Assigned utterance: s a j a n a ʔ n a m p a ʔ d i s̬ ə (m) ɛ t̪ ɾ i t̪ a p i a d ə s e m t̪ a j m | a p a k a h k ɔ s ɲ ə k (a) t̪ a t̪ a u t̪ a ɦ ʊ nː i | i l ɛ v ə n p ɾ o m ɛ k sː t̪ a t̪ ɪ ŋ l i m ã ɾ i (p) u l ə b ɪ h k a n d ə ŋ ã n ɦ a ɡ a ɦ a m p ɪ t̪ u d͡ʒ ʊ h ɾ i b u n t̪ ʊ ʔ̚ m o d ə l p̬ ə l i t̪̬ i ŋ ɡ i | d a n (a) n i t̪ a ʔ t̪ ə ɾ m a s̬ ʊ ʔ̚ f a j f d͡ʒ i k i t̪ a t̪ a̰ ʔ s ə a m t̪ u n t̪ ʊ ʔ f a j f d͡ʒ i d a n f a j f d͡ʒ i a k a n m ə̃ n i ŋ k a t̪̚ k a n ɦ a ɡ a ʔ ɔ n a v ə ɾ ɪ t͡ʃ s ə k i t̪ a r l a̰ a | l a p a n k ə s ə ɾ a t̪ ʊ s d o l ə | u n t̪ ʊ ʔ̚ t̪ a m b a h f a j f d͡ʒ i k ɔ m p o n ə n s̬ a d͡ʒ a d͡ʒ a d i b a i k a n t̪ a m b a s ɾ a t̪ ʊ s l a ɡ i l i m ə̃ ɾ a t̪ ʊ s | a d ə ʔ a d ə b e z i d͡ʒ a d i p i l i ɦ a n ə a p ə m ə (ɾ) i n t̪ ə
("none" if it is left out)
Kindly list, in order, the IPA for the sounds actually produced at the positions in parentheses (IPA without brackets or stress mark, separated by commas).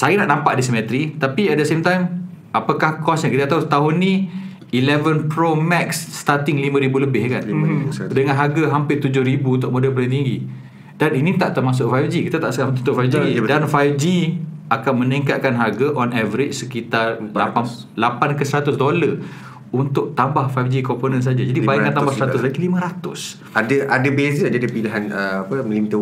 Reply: m, i, b, i, l